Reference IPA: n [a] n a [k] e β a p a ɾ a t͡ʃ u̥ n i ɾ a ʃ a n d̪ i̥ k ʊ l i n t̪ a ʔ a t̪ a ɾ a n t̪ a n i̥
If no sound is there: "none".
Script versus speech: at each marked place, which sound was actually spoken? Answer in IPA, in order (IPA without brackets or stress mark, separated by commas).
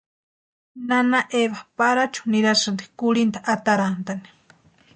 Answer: a, ʔ